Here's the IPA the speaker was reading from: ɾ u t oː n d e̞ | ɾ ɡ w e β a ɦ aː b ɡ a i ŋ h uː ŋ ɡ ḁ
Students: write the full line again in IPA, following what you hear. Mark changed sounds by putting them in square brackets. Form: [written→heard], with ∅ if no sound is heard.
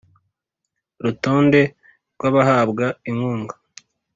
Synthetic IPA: ɾ u t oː n d e̞ | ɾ ɡ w [e→a] β a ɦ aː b ɡ a i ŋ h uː ŋ ɡ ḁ